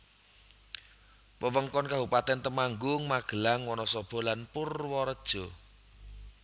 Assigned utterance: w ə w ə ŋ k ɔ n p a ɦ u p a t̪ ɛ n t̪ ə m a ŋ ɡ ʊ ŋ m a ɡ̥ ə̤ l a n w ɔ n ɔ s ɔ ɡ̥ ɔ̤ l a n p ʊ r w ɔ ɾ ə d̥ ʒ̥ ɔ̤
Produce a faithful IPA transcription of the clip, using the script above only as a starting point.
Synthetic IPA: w ə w ə ŋ k ɔ n k a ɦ u p a t̪ ɛ n t̪ ə m a ŋ ɡ ʊ ŋ m a ɡ̥ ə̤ l a ŋ w ɔ n ɔ s ɔ b̥ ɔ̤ l a n p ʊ r w ɔ ɾ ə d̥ ʒ̥ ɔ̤